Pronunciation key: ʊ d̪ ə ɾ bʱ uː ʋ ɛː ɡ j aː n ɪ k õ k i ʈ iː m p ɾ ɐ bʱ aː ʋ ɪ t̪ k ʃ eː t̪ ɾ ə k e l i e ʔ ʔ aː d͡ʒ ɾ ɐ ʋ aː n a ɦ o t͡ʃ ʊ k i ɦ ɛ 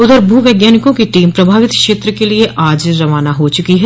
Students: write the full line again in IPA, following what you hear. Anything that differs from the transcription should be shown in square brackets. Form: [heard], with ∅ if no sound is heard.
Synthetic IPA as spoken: ʊ d̪ ə ɾ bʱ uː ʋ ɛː ɡ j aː n ɪ k õ k i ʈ iː m p ɾ ɐ bʱ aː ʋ ɪ t̪ k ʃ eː t̪ ɾ ə k e l i e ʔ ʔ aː d͡ʒ ɾ ɐ ʋ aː n a ɦ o t͡ʃ ʊ k i ɦ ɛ